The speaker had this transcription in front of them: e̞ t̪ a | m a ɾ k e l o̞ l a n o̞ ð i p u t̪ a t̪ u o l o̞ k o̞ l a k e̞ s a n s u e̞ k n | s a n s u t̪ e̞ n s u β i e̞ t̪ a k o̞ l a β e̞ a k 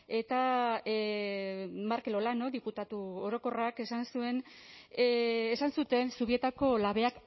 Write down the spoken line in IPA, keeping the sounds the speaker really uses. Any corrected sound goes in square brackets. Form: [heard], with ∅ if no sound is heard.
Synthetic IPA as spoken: e̞ t̪ a | m a ɾ k e l o̞ l a n o̞ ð i p u t̪ a t̪ u o [ɾ] o̞ k o̞ [r] a k e̞ s a n s u e̞ [∅] n | s a n s u t̪ e̞ n s u β i e̞ t̪ a k o̞ l a β e̞ a k